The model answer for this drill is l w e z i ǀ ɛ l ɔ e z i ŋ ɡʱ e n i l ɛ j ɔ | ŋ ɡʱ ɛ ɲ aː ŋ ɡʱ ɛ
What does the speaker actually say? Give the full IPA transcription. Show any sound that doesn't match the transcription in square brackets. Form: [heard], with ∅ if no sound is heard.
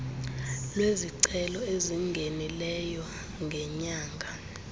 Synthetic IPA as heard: l w e z i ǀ ɛ l ɔ e z i ŋ ɡʱ e n i l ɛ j ɔ | ŋ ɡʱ ɛ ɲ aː ŋ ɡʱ [a]